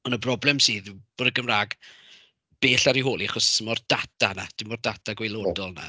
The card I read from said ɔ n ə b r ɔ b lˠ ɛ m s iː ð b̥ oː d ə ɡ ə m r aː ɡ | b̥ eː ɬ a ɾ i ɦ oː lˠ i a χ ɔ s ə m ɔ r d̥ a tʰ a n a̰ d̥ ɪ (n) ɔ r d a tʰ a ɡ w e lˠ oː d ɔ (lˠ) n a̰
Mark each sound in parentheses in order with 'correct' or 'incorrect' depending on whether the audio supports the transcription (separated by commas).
incorrect, correct